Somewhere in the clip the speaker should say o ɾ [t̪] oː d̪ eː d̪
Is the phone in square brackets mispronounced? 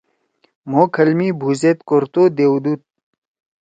no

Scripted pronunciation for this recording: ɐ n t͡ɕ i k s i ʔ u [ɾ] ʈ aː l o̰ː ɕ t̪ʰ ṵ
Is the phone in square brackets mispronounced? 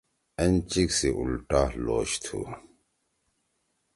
yes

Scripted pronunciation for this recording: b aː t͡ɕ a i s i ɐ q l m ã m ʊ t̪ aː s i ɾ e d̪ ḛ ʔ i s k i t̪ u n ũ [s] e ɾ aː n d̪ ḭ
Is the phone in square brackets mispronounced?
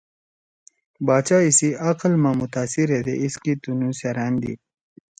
no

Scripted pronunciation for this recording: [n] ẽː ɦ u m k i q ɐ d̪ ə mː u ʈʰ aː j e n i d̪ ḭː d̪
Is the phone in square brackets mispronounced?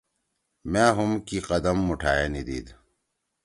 yes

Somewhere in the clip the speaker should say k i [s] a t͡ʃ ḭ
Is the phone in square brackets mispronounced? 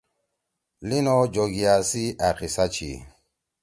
no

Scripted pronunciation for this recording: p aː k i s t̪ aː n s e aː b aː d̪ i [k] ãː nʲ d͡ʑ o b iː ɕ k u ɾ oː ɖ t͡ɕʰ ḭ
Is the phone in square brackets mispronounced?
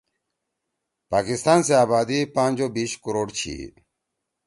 yes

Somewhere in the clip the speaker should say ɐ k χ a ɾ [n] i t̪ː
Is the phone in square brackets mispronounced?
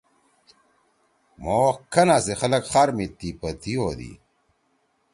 yes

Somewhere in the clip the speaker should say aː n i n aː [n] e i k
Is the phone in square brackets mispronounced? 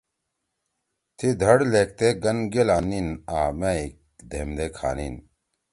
yes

